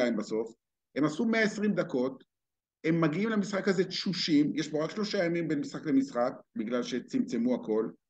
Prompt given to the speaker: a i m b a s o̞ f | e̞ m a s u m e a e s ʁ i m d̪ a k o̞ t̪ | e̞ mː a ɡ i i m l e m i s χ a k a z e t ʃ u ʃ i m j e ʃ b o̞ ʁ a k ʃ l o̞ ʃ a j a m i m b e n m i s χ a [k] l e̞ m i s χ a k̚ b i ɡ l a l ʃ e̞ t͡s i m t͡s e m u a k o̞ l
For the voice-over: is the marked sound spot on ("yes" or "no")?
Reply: yes